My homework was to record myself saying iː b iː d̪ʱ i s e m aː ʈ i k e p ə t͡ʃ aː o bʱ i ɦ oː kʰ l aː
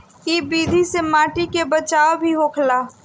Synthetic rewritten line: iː b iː d̪ʱ i s e m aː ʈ i k e b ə t͡ʃ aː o bʱ i ɦ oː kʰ l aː